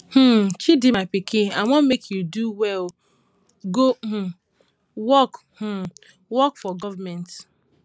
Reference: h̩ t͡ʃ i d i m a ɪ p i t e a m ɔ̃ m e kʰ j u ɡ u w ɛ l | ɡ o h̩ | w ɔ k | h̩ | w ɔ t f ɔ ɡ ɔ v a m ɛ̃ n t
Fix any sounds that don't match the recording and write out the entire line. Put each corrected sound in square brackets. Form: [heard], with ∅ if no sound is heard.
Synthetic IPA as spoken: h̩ t͡ʃ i d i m a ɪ p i [k] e a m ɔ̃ m e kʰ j u [d] u w ɛ l | ɡ o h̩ | w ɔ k | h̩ | w ɔ [k] f ɔ ɡ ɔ v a m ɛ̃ n t